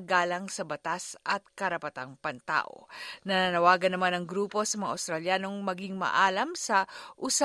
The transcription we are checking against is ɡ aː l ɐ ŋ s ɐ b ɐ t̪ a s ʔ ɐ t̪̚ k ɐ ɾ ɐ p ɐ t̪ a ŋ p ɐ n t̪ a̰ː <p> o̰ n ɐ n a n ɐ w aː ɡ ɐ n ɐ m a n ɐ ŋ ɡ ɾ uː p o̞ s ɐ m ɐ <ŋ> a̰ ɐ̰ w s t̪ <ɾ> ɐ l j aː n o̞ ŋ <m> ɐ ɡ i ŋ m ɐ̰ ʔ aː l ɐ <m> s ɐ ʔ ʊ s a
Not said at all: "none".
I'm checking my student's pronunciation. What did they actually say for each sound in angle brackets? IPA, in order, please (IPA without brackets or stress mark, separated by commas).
ʔ, ŋ, ɾ, m, m